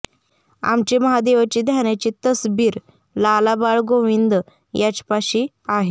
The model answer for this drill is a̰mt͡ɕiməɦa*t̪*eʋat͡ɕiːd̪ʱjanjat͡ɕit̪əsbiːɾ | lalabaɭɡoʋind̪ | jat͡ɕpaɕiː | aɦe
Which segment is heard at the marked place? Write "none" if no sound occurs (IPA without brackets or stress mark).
d̪